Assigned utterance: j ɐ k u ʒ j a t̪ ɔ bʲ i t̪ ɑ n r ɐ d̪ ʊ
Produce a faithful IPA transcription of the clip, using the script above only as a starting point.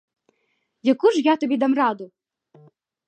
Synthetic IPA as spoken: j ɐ k u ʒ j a t̪ ɔ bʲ i d̪ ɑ m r ɑ d̪ ʊ